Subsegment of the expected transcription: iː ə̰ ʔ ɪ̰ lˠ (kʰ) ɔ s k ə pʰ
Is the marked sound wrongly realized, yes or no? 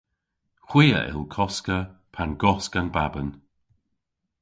no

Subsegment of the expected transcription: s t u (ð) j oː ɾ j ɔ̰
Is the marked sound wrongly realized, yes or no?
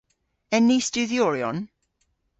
no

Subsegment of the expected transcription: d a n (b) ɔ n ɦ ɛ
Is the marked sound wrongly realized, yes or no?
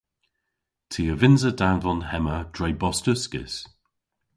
yes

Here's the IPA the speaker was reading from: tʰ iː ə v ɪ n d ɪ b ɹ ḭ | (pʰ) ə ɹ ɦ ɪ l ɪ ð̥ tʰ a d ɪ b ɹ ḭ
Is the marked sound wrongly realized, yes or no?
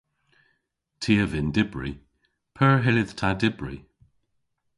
no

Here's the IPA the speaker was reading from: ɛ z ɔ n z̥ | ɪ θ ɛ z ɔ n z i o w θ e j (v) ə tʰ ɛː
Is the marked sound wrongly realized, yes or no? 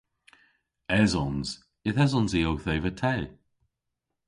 no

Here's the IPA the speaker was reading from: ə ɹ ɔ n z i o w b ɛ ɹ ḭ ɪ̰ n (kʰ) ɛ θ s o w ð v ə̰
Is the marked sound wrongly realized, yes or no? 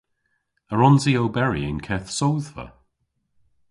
no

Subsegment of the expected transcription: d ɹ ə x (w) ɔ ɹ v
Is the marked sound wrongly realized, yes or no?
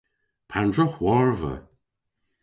no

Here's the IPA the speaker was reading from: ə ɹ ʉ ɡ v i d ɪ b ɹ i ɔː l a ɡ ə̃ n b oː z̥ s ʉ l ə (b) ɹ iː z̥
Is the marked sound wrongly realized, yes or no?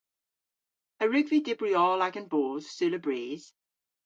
no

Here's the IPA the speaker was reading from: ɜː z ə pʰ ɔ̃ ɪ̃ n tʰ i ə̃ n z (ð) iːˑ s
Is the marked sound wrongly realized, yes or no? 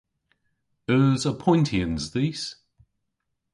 no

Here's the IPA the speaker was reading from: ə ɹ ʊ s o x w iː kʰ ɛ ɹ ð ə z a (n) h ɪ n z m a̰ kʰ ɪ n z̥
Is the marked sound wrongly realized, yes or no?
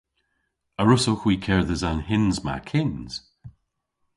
no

